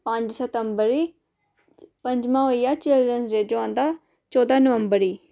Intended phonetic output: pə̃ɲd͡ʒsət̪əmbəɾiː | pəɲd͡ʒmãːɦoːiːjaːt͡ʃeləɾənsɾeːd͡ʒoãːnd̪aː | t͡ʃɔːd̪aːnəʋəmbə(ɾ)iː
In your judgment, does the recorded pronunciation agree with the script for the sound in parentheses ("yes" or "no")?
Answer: yes